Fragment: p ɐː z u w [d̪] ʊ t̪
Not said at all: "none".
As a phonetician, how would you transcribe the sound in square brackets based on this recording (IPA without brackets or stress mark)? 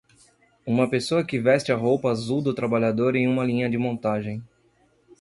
d̪